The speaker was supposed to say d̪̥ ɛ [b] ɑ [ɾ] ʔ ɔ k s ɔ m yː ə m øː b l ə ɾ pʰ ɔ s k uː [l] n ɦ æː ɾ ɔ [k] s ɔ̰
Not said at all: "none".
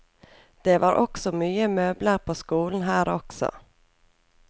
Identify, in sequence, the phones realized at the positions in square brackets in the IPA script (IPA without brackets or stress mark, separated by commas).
v, ɾ, l, k